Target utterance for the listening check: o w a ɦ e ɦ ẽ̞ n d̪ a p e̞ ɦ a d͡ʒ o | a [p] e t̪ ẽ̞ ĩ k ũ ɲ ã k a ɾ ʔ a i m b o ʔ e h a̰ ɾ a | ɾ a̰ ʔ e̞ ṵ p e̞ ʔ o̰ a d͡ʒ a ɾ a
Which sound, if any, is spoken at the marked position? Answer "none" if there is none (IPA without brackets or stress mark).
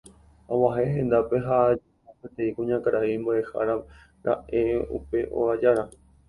p